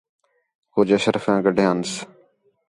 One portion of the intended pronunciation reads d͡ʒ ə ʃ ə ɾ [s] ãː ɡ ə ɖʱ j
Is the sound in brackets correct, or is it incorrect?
incorrect: f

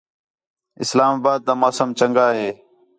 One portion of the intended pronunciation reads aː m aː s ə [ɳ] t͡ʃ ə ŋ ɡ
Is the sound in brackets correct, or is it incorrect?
incorrect: m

